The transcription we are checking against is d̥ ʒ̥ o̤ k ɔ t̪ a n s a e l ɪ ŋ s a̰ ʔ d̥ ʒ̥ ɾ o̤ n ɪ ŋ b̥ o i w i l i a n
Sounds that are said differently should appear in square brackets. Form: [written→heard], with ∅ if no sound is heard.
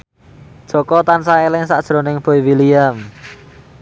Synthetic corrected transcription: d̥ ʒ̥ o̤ k ɔ t̪ a n s a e l ɪ ŋ s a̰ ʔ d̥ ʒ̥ ɾ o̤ n ɪ ŋ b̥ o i w i l i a [n→m]